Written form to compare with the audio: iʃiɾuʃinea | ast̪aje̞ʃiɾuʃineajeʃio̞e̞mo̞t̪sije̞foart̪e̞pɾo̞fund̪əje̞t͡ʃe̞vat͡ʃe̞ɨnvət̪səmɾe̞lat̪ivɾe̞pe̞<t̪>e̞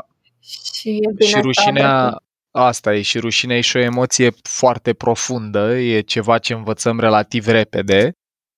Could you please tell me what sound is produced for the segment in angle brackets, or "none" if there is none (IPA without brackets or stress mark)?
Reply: d̪